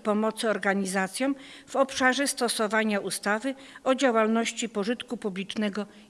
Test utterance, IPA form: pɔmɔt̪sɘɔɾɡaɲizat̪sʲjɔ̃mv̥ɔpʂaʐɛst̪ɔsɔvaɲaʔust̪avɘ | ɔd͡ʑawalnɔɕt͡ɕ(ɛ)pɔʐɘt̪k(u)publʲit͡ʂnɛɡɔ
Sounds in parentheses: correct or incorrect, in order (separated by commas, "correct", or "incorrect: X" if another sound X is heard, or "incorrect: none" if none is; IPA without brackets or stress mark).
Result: incorrect: i, correct